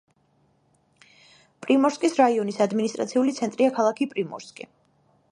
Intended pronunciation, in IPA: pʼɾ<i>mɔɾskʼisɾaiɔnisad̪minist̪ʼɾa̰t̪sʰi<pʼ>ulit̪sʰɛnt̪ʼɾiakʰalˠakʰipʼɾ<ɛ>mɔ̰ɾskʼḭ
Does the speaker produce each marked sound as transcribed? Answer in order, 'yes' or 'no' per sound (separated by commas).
yes, no, no